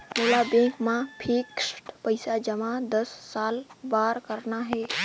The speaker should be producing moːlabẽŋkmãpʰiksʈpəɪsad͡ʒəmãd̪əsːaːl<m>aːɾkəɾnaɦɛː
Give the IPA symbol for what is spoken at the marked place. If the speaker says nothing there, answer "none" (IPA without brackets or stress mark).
b